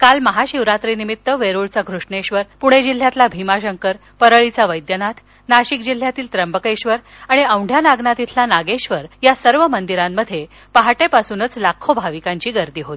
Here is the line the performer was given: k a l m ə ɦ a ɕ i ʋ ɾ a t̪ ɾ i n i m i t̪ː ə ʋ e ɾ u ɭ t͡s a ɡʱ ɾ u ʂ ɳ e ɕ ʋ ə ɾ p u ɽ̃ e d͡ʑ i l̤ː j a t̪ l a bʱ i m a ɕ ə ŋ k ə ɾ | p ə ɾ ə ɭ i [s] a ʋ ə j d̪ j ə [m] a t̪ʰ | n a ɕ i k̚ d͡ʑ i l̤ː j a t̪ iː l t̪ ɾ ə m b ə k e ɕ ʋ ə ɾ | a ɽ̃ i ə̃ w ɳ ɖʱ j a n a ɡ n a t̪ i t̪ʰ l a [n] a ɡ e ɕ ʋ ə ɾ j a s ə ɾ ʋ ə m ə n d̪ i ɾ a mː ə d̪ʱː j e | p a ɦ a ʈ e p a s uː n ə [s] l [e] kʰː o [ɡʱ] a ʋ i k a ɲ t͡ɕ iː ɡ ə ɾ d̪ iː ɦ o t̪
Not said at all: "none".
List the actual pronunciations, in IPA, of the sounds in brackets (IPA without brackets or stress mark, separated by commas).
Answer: t͡s, n, n, t͡s, a, bʱ